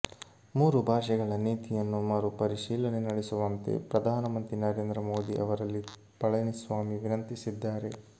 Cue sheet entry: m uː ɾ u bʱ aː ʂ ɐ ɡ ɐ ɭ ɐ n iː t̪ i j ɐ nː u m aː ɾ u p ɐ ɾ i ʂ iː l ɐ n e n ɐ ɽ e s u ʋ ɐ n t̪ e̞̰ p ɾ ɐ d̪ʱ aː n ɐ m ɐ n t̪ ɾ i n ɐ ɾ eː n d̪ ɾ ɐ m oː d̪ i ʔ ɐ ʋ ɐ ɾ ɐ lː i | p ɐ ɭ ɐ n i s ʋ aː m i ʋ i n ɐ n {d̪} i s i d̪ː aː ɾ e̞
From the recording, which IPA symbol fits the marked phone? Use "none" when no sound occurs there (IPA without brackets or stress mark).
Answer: t̪